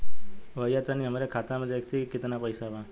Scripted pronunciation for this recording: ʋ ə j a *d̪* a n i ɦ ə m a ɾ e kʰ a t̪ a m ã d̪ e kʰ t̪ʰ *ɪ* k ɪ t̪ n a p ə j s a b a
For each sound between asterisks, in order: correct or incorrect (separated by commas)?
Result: incorrect, incorrect